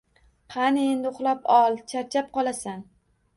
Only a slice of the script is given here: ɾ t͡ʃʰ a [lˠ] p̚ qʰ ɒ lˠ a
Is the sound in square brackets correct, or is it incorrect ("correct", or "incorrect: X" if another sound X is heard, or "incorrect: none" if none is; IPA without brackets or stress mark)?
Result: incorrect: none